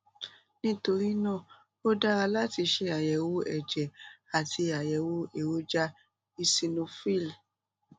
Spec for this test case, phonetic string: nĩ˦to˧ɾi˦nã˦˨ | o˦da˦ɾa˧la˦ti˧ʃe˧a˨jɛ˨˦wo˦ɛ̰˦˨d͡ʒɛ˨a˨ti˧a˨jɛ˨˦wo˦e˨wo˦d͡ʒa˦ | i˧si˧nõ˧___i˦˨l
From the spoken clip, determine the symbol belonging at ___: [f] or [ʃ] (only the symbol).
f